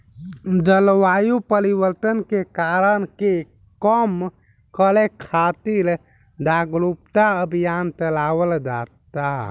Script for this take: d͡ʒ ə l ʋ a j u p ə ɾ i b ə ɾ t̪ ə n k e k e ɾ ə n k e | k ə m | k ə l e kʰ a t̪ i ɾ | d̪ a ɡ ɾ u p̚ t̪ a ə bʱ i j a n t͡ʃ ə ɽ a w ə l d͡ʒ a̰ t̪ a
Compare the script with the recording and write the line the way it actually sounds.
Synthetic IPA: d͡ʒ ə l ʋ a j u p ə ɾ i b ə ɾ t̪ ə n k e k a ɾ ə n k e | k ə m | k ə l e kʰ a t̪ i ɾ | d̪ a ɡ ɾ u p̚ t̪ a ə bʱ i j a n t͡ʃ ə l a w ə l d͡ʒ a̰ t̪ a